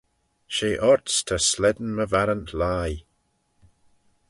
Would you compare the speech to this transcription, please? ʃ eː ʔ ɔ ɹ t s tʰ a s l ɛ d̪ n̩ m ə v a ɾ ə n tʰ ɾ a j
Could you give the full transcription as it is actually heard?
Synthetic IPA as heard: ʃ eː ʔ ɔ ɹ t s tʰ ə s l ɛ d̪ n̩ m ə v a ɾ ə n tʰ l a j